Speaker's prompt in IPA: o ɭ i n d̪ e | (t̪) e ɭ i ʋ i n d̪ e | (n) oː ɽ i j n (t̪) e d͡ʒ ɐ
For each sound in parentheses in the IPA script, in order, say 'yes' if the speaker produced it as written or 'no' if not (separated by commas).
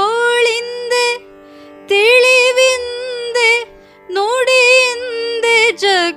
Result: yes, yes, no